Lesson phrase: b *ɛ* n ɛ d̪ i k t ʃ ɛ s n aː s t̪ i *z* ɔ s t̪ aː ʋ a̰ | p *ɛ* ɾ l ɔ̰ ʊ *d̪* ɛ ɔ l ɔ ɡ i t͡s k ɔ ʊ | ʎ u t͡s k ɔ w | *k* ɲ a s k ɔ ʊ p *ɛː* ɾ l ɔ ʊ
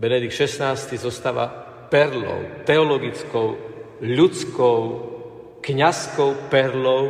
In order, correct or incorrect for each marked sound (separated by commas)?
correct, correct, correct, incorrect, correct, incorrect